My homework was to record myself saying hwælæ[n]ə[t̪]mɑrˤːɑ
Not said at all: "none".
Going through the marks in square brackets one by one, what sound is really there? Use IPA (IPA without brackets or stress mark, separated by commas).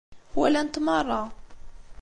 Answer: n, t̪